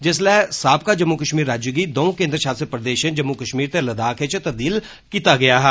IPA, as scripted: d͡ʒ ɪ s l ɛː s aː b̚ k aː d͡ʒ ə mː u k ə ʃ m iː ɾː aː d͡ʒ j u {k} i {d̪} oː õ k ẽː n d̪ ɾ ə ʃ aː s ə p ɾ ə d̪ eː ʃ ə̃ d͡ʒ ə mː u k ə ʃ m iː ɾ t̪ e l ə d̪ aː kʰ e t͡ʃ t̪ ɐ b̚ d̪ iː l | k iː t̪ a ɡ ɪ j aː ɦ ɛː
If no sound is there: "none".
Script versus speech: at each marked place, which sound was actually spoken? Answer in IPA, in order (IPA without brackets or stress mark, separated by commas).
ɡ, d̪